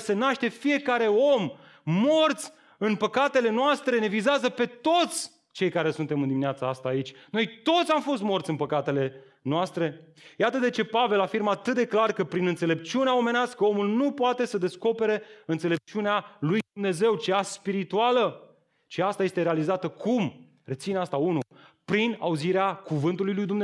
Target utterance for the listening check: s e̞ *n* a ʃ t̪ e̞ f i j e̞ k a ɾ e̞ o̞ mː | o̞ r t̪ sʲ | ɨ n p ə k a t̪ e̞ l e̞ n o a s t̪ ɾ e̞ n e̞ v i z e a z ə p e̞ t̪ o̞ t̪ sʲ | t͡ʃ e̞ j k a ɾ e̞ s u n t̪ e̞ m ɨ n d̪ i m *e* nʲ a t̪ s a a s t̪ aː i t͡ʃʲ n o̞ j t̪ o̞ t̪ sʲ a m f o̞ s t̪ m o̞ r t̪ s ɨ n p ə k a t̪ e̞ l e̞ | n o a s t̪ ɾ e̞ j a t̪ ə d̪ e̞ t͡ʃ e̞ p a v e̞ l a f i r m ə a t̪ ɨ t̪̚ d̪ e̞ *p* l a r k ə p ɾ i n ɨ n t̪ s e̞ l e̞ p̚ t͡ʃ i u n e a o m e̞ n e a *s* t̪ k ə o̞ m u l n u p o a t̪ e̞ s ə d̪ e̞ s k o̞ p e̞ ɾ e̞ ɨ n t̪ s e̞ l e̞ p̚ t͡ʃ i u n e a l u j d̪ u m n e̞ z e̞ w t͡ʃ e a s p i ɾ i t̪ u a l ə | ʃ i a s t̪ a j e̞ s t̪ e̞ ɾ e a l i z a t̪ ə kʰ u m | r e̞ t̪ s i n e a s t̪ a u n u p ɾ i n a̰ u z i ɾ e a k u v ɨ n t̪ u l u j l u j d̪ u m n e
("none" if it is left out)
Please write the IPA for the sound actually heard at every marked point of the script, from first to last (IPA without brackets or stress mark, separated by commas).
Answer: n, i, k, s